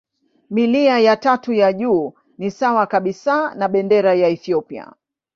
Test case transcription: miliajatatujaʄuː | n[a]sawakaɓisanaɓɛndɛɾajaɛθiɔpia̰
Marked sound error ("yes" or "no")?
yes